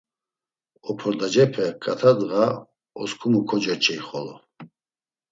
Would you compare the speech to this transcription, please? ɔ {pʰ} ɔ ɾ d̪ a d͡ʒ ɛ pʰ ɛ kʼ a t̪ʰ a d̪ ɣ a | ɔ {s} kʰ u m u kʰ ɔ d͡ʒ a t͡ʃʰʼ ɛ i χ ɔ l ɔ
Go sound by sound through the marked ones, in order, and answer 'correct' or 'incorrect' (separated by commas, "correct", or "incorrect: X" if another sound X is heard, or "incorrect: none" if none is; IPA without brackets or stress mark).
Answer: correct, correct